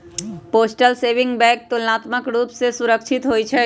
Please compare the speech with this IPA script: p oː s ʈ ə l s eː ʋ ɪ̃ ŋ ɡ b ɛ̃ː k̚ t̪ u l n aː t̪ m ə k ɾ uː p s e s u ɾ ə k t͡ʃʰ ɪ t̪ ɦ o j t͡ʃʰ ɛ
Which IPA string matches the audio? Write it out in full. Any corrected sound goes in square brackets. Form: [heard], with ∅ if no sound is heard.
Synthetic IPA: p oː s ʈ ə l s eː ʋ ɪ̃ ŋ ɡ b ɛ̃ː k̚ t̪ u l n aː t̪ m ə k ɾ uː p s e s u ɾ ə k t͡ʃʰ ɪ t̪ ɦ o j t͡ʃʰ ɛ

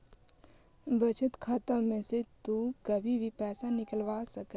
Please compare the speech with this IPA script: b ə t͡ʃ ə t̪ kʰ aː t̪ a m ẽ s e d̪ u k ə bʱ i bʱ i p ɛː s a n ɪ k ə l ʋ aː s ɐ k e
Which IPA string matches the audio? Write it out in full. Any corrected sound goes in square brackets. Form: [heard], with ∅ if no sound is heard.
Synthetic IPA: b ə t͡ʃ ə t̪ kʰ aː t̪ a m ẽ s e [t̪] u k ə bʱ i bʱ i p ɛː s a n ɪ k ə l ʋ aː s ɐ k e

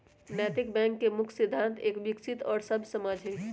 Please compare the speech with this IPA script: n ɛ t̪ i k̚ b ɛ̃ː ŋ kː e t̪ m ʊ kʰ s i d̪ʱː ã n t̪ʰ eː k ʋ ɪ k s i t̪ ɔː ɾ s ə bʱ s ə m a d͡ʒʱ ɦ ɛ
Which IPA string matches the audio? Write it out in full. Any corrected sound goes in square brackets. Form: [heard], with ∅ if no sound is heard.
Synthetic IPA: n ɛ t̪ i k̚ b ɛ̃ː ŋ kː e [∅] m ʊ kʰ s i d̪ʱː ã n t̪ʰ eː k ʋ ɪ k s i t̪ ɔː ɾ s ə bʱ s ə m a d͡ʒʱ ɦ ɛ

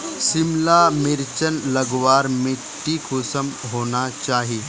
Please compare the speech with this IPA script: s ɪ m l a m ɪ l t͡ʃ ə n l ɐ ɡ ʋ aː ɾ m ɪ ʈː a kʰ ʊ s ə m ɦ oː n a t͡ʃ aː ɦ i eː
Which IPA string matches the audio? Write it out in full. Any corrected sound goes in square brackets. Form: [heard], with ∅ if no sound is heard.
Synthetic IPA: s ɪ m l a m ɪ [ɾ] t͡ʃ ə n l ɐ ɡ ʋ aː ɾ m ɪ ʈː [i] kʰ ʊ s ə m ɦ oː n a t͡ʃ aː ɦ i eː

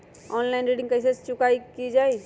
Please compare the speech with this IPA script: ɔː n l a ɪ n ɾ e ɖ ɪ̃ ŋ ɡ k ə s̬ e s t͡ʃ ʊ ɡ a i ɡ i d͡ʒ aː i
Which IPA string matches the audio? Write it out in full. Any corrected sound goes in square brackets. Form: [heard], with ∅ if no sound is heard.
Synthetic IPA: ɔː n l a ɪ n ɾ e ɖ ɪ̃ ŋ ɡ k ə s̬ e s t͡ʃ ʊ [k] a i [k] i d͡ʒ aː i

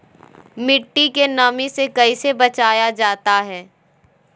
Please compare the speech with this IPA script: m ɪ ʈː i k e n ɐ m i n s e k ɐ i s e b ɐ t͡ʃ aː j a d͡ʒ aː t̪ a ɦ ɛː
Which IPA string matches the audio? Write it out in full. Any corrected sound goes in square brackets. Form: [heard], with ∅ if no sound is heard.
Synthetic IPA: m ɪ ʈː i k e n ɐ m i [∅] s e k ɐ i s e b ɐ t͡ʃ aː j a d͡ʒ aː t̪ a ɦ ɛː

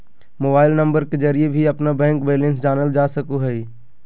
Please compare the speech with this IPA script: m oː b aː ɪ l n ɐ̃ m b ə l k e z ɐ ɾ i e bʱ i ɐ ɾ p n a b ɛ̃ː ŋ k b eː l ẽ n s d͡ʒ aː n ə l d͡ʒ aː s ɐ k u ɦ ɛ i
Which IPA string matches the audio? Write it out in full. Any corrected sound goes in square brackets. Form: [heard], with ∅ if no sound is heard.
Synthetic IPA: m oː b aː ɪ l n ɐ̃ m b ə [ɾ] k e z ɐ ɾ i e bʱ i ɐ [∅] p n a b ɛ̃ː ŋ k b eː l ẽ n s d͡ʒ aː n ə l d͡ʒ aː s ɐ k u ɦ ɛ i

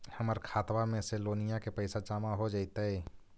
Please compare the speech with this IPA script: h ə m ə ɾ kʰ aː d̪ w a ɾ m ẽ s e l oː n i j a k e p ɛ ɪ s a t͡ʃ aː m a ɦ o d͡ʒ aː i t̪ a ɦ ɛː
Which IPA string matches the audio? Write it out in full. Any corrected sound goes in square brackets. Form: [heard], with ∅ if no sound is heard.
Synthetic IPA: h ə m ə ɾ kʰ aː [t̪] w a [∅] m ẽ s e l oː n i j a k e p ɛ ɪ s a t͡ʃ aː m a ɦ o d͡ʒ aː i t̪ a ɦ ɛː

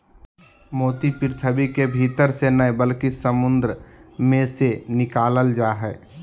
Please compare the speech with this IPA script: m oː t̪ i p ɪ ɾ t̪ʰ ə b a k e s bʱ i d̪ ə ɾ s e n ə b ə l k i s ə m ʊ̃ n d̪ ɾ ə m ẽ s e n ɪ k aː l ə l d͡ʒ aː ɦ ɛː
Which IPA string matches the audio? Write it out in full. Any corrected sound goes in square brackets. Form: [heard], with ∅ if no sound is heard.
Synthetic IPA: m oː t̪ i p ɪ ɾ t̪ʰ ə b [i] k e [∅] bʱ i [t̪] ə ɾ s e n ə b ə l k i s ə m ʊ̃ n d̪ ɾ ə m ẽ s e n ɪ k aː l ə l d͡ʒ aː ɦ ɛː

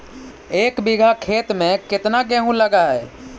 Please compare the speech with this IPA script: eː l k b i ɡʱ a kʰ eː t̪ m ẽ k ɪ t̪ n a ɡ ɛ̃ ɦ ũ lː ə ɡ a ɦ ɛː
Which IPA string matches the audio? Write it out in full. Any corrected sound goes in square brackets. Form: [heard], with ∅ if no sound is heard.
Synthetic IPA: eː [∅] k b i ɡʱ a kʰ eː t̪ m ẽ k ɪ t̪ n a ɡ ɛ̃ ɦ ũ [l] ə ɡ a ɦ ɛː

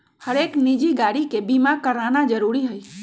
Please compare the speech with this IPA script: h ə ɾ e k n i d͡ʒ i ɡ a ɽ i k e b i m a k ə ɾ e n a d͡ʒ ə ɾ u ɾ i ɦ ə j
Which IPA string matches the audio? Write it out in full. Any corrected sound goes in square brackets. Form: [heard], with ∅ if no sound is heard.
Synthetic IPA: h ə ɾ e k n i d͡ʒ i ɡ a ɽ i k e b i m a k ə ɾ [a] n a d͡ʒ ə ɾ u ɾ i ɦ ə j

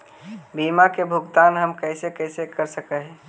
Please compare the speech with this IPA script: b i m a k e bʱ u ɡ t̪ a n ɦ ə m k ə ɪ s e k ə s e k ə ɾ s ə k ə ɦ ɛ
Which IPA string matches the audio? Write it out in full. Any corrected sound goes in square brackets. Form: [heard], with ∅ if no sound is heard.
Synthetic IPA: b i m a k e bʱ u ɡ t̪ a n ɦ ə m k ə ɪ s e k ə s e k ə ɾ s ə k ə ɦ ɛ

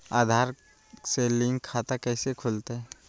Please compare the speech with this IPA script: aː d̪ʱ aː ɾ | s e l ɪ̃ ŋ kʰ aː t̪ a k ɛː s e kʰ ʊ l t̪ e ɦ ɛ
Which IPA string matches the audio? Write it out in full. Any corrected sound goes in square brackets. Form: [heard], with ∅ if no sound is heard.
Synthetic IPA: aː d̪ʱ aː ɾ | s e l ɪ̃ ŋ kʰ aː t̪ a k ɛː s e kʰ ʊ l t̪ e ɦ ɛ

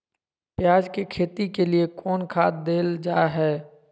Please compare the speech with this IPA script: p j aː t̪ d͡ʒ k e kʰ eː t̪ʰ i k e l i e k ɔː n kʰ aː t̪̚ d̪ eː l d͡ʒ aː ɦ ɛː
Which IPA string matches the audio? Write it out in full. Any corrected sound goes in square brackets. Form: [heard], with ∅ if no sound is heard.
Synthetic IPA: p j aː [∅] d͡ʒ k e kʰ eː [t̪] i k e l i e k ɔː n kʰ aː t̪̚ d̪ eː l d͡ʒ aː ɦ ɛː

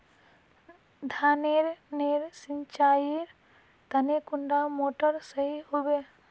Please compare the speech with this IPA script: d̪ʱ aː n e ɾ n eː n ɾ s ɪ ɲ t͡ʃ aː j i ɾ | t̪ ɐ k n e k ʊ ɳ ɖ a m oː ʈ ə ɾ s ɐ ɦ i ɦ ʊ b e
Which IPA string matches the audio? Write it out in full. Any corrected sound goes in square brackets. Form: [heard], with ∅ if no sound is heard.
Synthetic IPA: d̪ʱ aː n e ɾ n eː [∅] ɾ s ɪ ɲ t͡ʃ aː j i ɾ | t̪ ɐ [∅] n e k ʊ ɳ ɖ a m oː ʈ ə ɾ s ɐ ɦ i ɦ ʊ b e

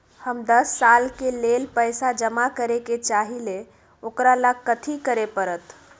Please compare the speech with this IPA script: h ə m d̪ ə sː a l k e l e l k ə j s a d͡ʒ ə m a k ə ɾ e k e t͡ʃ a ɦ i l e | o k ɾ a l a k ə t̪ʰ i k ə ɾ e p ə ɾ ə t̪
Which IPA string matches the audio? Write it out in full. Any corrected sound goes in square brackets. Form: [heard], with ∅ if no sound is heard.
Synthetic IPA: h ə m d̪ ə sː a l k e l e l [p] ə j s a d͡ʒ ə m a k ə ɾ e k e t͡ʃ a ɦ i l e | o k ɾ a l a k ə t̪ʰ i k ə ɾ e p ə ɾ ə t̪

